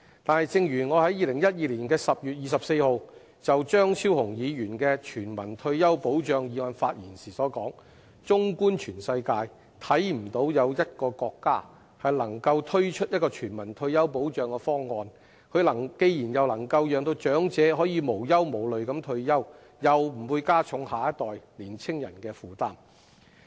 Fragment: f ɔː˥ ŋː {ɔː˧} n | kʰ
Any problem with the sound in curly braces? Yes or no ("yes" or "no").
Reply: no